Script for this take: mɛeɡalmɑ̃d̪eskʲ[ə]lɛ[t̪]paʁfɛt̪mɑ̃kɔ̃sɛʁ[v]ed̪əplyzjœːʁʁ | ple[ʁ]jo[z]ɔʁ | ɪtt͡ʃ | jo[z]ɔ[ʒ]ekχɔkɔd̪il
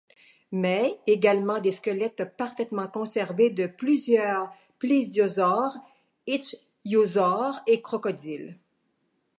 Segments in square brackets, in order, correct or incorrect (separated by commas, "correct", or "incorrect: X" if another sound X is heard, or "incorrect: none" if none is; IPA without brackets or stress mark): correct, correct, correct, incorrect: z, correct, correct, incorrect: ʁ